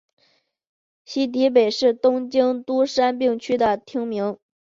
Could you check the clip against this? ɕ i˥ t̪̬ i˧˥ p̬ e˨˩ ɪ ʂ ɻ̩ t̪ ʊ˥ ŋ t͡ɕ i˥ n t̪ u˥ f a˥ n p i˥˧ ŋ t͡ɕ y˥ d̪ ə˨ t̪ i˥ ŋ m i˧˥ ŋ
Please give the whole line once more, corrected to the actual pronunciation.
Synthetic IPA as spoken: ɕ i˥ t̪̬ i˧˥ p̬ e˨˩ ɪ ʂ ɻ̩ t̪ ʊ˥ ŋ t͡ɕ i˥ ŋ t̪ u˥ ʂ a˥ n p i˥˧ ŋ t͡ɕʰ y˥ d̪ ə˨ t̪ʰ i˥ ŋ m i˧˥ ŋ